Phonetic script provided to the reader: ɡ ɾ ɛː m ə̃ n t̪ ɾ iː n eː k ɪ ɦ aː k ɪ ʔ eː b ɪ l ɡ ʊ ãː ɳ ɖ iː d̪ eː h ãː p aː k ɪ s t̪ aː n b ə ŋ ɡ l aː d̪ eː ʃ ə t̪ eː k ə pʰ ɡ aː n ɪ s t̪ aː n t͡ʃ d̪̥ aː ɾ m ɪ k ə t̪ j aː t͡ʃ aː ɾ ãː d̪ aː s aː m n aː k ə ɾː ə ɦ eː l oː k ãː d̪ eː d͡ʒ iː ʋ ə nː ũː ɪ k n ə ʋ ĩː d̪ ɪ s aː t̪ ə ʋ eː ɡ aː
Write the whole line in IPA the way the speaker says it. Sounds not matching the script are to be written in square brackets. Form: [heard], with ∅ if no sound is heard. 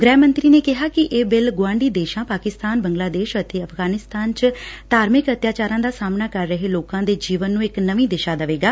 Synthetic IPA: ɡ ɾ ɛː m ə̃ n t̪ ɾ iː n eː k ɪ ɦ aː k ɪ ʔ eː b ɪ l ɡ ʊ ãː ɳ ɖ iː d̪ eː [ʃ] ãː p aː k ɪ s t̪ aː n b ə ŋ ɡ l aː d̪ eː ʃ ə t̪ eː [∅] ə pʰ ɡ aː n ɪ s t̪ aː n t͡ʃ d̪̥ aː ɾ m ɪ k ə t̪ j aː t͡ʃ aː ɾ ãː d̪ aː s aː m n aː k ə ɾː ə ɦ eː l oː k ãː d̪ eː d͡ʒ iː ʋ ə nː ũː ɪ k n ə ʋ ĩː d̪ ɪ [ʃ] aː [d̪] ə ʋ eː ɡ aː